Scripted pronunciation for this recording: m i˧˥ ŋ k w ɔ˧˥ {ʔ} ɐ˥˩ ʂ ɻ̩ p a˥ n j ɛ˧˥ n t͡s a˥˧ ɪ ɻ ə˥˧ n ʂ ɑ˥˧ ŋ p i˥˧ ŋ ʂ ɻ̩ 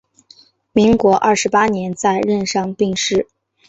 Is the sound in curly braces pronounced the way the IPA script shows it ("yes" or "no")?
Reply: yes